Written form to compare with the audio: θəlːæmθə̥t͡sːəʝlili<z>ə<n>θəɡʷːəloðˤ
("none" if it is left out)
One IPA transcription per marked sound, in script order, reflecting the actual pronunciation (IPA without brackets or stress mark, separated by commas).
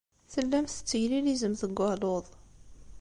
z, m